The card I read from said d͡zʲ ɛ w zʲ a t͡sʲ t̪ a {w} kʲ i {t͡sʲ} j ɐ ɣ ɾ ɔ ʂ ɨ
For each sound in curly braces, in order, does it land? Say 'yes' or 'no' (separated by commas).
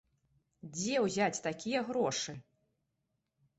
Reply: no, no